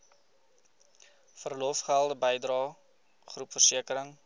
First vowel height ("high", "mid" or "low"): mid